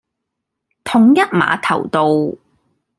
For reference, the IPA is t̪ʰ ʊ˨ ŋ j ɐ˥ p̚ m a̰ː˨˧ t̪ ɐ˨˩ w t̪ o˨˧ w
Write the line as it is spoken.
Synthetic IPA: t̪ʰ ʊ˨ ŋ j ɐ˥ t̚ m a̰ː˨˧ t̪ʰ ɐ˨˩ w t̪ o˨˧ w